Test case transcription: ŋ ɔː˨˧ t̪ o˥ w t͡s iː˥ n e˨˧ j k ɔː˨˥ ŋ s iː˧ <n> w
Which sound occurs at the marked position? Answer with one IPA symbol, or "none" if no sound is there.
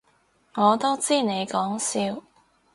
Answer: none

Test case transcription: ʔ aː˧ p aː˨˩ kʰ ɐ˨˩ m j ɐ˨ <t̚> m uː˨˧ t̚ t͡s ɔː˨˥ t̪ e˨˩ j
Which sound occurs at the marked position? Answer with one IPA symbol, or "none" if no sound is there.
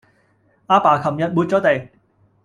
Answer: t̚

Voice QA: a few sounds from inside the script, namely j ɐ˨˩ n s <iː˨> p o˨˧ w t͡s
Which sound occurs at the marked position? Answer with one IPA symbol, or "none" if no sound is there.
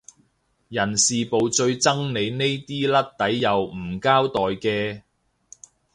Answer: iː˨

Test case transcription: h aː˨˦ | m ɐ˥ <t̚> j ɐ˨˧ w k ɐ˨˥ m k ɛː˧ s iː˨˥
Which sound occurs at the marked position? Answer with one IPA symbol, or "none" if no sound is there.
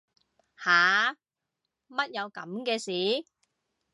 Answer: t̚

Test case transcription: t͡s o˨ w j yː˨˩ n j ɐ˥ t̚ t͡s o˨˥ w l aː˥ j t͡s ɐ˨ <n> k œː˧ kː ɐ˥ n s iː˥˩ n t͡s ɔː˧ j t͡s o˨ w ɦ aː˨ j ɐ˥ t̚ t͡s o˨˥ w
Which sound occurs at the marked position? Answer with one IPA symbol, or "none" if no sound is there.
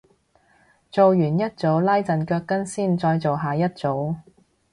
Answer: n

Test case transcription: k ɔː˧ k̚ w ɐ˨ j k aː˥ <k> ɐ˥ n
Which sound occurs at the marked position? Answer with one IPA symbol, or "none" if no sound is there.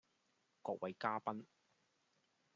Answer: p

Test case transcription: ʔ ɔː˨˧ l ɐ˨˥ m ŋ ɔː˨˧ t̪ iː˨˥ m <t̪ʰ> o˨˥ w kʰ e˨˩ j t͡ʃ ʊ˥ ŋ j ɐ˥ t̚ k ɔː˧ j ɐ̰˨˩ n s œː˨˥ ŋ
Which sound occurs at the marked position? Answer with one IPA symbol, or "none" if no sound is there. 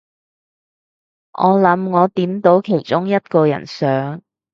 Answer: t̪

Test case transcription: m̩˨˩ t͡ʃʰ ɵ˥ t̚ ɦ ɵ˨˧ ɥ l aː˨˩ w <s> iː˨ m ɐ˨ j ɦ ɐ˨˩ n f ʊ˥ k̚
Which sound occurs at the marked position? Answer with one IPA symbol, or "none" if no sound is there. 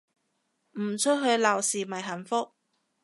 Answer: s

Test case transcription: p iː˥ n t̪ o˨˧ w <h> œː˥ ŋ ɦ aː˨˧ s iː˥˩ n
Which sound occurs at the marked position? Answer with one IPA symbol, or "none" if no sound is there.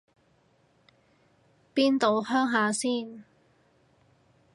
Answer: h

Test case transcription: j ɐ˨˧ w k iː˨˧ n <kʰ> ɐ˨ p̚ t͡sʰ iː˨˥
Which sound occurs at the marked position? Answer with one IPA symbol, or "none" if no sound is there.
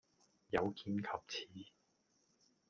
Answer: kʰ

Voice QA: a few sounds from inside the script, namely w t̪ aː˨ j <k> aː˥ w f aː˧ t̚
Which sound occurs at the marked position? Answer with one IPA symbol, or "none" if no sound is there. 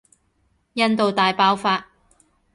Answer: p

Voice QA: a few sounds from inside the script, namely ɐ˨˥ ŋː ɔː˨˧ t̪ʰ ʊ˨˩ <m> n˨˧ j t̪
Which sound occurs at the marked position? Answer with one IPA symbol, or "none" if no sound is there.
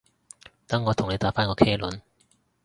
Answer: ŋ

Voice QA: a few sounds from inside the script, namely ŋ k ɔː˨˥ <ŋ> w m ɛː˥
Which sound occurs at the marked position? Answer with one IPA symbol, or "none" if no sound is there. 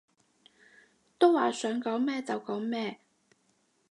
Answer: none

